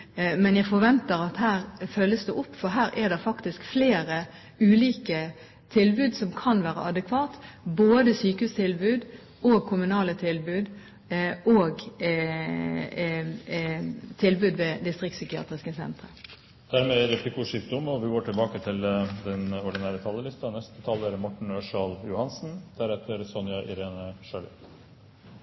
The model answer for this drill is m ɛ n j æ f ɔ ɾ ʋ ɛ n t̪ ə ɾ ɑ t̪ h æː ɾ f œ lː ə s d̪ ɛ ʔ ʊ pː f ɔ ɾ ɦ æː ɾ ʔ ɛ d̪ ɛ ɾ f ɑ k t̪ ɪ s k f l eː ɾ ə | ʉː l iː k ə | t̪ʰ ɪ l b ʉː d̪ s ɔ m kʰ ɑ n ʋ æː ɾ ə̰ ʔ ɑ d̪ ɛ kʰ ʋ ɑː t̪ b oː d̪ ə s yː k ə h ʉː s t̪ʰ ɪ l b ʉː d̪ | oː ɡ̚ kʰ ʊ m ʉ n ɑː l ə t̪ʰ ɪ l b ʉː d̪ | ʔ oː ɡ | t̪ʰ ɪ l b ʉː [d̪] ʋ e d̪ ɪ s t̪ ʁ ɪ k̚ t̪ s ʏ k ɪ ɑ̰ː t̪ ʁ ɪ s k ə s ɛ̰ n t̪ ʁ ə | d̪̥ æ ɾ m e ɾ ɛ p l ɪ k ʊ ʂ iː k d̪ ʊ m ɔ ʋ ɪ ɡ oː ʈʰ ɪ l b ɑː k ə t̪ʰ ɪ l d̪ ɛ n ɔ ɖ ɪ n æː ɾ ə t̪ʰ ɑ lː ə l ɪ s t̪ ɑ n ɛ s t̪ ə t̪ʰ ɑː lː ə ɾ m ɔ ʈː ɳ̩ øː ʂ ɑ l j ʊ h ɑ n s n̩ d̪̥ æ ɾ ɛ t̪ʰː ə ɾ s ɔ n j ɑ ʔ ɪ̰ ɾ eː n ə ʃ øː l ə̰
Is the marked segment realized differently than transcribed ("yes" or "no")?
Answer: no